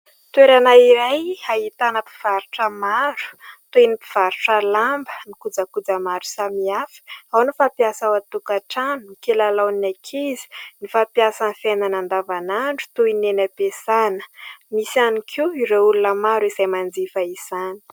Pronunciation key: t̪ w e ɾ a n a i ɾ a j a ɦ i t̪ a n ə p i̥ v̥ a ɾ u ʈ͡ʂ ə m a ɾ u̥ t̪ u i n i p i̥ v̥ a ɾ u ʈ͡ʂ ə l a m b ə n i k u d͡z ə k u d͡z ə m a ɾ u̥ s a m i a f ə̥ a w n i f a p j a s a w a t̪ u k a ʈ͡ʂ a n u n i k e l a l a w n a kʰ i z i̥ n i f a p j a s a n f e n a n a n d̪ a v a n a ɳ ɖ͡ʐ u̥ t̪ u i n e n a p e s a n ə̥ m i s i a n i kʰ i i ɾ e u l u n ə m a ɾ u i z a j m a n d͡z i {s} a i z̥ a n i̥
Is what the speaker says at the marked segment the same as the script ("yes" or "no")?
no